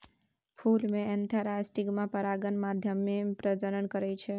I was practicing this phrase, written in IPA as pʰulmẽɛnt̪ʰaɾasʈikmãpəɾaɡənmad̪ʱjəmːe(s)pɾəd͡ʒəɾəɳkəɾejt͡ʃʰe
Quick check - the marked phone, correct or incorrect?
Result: incorrect